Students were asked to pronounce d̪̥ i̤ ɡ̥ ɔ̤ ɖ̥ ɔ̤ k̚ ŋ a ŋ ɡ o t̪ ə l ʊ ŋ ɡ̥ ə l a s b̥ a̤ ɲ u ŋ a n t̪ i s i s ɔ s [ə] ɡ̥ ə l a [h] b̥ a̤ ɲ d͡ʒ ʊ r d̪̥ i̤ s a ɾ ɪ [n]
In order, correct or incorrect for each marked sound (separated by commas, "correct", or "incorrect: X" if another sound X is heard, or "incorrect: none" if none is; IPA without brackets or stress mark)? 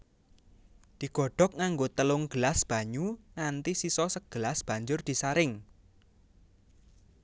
correct, incorrect: s, incorrect: ŋ